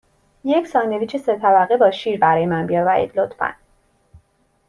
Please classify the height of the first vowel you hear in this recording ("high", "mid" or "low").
mid